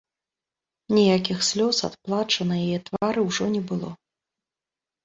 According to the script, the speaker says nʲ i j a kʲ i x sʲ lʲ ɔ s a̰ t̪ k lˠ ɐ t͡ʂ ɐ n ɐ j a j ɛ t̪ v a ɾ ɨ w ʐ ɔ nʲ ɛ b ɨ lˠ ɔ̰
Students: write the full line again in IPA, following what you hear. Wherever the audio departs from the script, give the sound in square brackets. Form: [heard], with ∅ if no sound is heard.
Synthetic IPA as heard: nʲ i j a kʲ i x sʲ lʲ ɔ s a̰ t̪ [p] lˠ [a] t͡ʂ ɐ n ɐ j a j ɛ t̪ v a ɾ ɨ w ʐ ɔ nʲ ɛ b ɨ lˠ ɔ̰